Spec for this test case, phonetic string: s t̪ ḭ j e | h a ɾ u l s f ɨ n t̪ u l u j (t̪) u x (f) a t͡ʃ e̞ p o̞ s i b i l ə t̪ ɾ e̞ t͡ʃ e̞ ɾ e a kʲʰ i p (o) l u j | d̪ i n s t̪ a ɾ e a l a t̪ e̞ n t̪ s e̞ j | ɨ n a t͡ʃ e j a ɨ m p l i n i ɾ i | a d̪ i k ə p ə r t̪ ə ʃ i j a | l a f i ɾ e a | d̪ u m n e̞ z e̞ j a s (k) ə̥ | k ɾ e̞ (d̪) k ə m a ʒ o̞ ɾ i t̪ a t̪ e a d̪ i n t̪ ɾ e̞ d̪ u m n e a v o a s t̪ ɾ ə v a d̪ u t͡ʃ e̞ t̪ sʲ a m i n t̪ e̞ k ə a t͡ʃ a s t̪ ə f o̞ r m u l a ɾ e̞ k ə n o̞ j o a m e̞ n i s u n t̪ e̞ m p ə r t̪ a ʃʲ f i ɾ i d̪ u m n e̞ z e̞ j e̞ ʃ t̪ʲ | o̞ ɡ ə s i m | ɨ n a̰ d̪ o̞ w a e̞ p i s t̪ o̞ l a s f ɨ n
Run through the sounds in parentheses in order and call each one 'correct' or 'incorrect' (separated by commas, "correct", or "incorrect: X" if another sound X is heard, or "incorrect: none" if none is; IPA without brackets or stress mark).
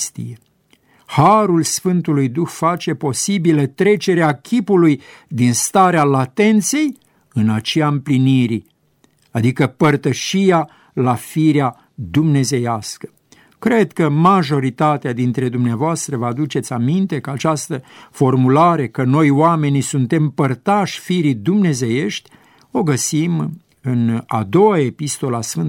incorrect: d̪, correct, incorrect: u, correct, correct